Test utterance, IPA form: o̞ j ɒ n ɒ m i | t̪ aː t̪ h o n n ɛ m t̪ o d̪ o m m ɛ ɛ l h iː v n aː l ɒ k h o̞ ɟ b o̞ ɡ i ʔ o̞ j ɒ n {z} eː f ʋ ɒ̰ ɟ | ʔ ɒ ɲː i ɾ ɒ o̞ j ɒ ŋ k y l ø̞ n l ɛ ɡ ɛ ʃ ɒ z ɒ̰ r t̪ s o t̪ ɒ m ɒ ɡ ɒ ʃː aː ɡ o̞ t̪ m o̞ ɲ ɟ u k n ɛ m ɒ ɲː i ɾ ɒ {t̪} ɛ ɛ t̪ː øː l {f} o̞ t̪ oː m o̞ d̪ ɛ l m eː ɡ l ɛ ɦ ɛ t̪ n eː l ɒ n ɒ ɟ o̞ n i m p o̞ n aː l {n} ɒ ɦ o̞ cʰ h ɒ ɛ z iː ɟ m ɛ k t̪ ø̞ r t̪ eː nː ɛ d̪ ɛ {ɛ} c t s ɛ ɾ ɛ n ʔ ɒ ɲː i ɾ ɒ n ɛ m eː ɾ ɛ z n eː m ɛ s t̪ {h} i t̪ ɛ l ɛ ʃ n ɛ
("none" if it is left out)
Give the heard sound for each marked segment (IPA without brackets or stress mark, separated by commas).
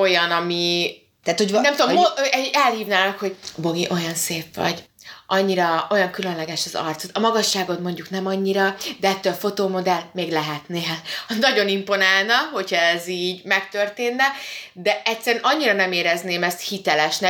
s, d̪, f, n, ɛ, h